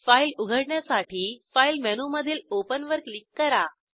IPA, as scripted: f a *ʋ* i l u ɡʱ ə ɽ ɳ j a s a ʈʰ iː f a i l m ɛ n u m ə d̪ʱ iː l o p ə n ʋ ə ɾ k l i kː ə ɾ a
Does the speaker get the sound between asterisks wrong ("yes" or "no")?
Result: yes